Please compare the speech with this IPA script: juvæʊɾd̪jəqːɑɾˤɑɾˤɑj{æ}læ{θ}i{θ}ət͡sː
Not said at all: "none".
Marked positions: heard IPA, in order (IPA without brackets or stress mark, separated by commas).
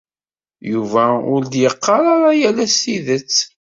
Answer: æ, s, ð